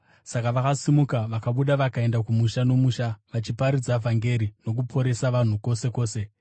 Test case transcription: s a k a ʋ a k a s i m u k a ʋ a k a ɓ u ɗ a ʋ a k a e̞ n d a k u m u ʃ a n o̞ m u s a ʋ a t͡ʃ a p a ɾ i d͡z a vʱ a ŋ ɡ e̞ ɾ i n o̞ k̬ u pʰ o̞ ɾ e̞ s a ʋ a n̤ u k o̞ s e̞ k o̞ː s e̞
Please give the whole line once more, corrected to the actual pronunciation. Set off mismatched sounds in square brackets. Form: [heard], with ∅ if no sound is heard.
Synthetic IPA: s a k a ʋ a k a s i m u k a ʋ a k a ɓ u ɗ a ʋ a k a e̞ n d a k u m u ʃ a n o̞ m u [ʃ] a ʋ a t͡ʃ [i] p a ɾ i d͡z a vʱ a ŋ ɡ e̞ ɾ i n o̞ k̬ u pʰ o̞ ɾ e̞ s a ʋ a n̤ u k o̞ s e̞ k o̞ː s e̞